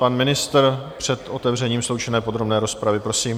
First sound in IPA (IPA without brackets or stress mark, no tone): p